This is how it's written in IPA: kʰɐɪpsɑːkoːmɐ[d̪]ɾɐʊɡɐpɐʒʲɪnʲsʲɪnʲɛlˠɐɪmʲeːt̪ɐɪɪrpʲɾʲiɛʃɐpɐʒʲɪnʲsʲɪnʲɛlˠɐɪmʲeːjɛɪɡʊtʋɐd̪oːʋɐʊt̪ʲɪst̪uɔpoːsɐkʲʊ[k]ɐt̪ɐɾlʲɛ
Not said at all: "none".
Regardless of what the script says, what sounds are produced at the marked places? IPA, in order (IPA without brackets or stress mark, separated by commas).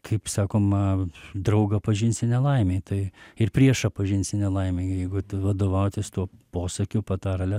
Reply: d̪, p